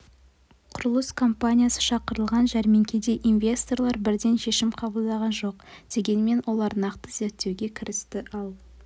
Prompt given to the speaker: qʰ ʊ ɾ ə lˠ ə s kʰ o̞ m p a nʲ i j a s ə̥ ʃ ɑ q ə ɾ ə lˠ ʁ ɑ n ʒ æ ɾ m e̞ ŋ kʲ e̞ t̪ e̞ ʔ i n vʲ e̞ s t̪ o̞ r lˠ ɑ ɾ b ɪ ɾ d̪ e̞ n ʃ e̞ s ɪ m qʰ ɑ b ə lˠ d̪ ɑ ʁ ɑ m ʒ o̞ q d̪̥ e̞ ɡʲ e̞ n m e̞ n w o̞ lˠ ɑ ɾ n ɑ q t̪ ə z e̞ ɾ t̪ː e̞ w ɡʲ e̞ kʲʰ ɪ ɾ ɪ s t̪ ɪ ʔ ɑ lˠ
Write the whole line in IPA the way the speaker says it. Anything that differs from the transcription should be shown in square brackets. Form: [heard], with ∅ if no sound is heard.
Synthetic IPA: qʰ ʊ ɾ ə lˠ ə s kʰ o̞ m p a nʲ i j a s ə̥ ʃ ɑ q ə ɾ ə lˠ ʁ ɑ n ʒ æ ɾ m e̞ ŋ kʲ e̞ [d̪] e̞ ʔ i n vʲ e̞ s t̪ o̞ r lˠ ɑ ɾ b ɪ ɾ d̪ e̞ n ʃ e̞ [ʃ] ɪ m qʰ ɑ b ə lˠ d̪ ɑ ʁ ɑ [n] ʒ o̞ q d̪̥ e̞ ɡʲ e̞ n m e̞ n w o̞ lˠ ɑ ɾ n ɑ q t̪ ə z e̞ ɾ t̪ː e̞ w ɡʲ e̞ kʲʰ ɪ ɾ ɪ s t̪ ɪ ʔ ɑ lˠ